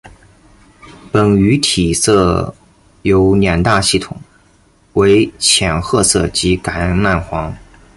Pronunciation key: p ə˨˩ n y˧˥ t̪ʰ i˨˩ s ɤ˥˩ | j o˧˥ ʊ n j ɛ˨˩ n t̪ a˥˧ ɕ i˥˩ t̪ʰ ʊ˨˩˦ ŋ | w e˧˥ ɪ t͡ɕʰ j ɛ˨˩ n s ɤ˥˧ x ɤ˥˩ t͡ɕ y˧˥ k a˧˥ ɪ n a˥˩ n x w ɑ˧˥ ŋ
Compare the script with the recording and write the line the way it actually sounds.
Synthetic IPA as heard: p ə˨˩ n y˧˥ t̪ʰ i˨˩ s ɤ˥˩ | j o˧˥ ʊ n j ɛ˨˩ n t̪ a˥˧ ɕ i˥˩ t̪ʰ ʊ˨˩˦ ŋ | w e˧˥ ɪ t͡ɕʰ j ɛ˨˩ n x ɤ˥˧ s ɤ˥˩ t͡ɕ i˧˥ k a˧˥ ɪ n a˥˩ n x w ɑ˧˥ ŋ